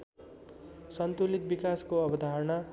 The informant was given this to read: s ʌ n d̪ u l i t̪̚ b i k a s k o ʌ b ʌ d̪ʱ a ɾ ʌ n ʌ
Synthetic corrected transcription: s ʌ n t̪ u l i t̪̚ b i k a s k o ʌ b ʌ d̪ʱ a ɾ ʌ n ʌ